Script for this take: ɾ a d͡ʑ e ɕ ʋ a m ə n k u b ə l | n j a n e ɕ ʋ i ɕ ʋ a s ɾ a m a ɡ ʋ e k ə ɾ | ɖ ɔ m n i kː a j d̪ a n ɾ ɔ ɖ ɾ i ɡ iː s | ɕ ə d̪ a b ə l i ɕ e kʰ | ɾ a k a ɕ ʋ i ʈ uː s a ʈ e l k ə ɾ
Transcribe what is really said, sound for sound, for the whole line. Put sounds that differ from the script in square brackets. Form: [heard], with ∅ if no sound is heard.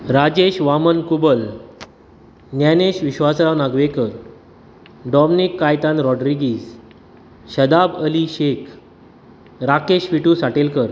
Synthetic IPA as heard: ɾ a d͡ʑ e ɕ ʋ a m ə n k u b ə l | n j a n e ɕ ʋ i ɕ ʋ a s ɾ a [n] a ɡ ʋ e k ə ɾ | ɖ ɔ m n i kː a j [t̪] a n ɾ ɔ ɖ ɾ i ɡ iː s | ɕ ə d̪ a b ə l i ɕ e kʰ | ɾ a k [e] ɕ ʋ i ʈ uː s a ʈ e l k ə ɾ